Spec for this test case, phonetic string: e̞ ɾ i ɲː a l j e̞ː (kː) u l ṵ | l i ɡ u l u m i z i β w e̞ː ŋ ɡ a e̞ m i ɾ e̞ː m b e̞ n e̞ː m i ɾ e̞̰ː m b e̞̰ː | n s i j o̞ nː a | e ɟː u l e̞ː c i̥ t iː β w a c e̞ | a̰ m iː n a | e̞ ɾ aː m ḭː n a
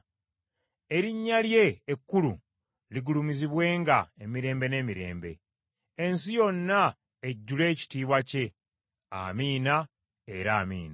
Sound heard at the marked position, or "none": kː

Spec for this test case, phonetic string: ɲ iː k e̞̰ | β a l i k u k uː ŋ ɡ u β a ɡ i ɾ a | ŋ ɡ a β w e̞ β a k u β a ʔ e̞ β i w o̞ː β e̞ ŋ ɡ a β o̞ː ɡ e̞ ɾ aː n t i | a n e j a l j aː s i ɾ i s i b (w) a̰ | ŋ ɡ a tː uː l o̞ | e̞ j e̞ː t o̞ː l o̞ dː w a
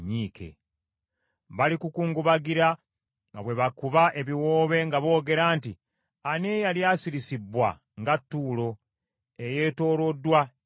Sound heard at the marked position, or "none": w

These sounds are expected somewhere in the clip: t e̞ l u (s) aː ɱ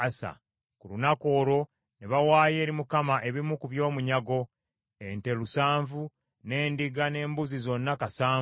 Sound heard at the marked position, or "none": s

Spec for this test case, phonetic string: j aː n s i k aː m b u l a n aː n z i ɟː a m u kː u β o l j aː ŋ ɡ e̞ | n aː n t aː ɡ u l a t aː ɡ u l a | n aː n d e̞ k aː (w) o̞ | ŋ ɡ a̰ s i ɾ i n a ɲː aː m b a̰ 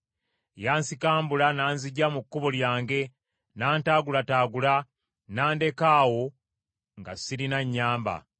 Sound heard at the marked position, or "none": w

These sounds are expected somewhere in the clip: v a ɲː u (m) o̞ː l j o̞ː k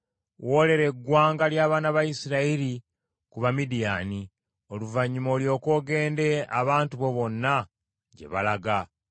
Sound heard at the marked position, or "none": m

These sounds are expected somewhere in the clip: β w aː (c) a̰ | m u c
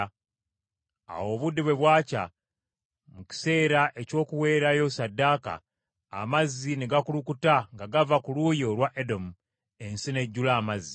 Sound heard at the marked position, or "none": c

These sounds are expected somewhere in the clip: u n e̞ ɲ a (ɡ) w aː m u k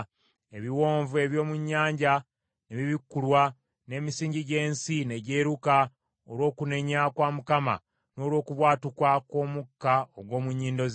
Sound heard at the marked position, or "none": k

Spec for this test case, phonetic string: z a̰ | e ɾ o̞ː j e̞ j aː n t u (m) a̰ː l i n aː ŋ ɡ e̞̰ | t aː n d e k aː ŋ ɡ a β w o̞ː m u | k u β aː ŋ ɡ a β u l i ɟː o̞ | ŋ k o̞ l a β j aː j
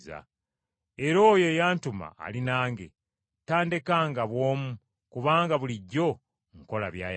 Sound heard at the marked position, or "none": m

